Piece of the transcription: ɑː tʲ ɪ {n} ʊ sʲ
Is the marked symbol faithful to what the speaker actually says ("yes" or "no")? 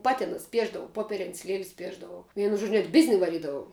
yes